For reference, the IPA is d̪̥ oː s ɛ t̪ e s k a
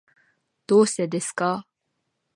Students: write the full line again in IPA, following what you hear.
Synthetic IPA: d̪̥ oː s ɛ d̪ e s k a